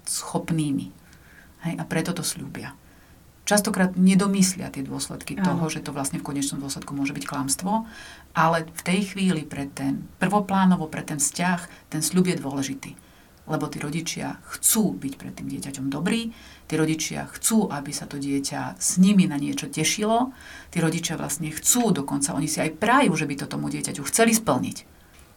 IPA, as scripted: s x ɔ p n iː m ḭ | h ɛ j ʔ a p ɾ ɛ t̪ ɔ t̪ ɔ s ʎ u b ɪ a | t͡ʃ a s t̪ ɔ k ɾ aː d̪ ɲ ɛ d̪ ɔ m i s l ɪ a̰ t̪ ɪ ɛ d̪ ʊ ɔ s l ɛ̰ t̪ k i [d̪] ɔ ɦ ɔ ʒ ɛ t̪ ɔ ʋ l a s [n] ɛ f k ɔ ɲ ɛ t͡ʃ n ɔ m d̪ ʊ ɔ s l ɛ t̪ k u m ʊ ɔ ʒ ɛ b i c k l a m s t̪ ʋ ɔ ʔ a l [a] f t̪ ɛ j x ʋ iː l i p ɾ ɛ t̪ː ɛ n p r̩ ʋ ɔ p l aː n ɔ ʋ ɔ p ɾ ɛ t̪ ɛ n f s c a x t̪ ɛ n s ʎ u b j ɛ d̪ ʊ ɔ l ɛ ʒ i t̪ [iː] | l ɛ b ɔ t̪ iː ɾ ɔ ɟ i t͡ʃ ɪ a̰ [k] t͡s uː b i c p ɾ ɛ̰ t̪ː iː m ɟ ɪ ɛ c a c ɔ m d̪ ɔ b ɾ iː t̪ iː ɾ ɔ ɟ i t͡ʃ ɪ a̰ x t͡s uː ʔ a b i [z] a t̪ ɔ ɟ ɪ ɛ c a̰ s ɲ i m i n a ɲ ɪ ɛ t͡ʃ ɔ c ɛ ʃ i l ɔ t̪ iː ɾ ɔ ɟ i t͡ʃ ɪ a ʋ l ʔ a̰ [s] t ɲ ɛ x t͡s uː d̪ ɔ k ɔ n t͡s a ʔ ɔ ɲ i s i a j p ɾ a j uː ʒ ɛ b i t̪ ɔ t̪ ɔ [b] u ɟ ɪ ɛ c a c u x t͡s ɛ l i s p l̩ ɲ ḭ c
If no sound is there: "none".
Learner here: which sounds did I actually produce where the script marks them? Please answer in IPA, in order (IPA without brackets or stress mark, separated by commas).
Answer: t̪, ɲ, ɛ, iː, x, s, s, m